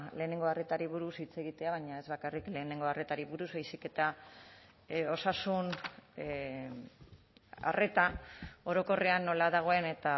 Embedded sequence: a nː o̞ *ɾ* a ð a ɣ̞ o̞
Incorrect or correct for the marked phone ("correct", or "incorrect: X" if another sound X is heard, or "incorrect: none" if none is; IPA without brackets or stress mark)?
incorrect: l